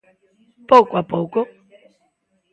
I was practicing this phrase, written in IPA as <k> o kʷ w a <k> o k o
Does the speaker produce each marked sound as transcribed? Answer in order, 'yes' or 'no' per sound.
no, no

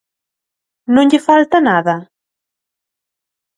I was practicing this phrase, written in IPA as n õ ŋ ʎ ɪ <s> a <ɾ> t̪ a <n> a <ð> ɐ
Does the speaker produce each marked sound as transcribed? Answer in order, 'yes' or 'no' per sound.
no, no, yes, yes

